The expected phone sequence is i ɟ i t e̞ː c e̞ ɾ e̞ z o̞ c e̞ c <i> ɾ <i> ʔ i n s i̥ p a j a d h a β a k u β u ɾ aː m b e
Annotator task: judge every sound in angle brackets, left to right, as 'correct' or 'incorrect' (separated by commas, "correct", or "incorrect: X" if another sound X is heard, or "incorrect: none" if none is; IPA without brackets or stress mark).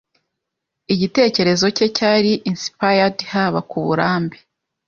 incorrect: a, correct